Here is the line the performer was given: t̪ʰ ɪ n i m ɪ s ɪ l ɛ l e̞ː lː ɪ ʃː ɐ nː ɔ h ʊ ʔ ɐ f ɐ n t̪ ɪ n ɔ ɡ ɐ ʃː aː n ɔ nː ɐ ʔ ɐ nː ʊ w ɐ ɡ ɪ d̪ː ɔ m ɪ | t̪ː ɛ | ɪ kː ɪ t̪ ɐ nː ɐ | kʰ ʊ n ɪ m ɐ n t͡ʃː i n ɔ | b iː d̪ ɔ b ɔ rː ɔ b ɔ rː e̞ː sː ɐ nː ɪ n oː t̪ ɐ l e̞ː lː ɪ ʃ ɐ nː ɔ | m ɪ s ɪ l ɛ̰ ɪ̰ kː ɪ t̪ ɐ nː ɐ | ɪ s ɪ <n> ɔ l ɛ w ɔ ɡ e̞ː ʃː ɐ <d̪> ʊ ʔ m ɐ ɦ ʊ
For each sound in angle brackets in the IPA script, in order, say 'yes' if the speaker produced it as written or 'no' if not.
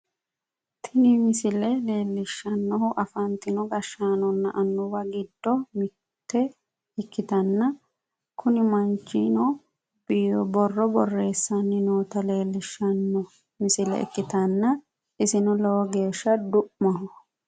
yes, yes

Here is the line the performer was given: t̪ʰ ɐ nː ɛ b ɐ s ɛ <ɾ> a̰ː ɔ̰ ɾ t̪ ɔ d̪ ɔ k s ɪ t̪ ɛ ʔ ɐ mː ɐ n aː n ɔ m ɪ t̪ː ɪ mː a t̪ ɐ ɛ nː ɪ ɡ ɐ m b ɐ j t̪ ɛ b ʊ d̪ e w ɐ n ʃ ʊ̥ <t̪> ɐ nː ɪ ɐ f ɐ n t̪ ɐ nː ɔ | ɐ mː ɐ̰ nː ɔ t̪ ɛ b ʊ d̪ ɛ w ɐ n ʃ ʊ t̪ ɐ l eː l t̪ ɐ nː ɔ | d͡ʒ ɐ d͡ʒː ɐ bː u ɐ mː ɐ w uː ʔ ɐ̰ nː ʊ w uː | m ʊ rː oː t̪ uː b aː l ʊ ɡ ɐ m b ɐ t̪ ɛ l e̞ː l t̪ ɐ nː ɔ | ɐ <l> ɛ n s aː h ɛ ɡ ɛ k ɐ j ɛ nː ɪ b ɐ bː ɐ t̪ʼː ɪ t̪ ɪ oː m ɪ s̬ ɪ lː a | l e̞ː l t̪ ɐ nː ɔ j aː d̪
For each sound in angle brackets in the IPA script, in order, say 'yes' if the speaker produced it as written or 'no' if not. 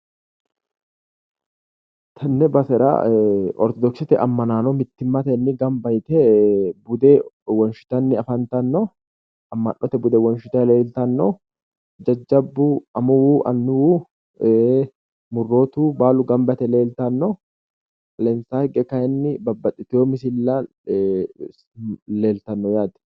yes, yes, yes

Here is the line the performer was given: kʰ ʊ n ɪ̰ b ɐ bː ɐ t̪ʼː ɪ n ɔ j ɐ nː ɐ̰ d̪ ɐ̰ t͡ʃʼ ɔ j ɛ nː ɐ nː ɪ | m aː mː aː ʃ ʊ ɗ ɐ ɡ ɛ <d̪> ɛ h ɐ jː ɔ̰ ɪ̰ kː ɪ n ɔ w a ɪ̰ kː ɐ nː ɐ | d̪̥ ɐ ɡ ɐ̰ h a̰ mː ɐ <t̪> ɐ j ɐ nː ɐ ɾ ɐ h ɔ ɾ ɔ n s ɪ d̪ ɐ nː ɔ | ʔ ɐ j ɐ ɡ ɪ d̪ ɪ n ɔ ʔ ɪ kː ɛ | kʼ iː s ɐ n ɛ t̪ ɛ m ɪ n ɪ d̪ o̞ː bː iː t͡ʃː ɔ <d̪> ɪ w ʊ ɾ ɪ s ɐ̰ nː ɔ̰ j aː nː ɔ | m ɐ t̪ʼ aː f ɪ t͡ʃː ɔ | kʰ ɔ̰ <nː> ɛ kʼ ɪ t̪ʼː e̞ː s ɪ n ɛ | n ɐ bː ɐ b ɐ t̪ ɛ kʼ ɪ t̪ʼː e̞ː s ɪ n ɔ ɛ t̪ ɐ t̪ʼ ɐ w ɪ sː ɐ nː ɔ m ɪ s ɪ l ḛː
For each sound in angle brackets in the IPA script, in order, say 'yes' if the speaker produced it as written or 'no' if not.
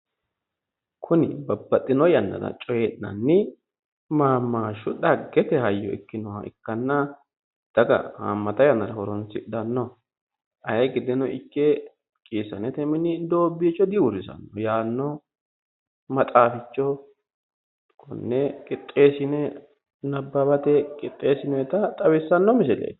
no, yes, yes, yes

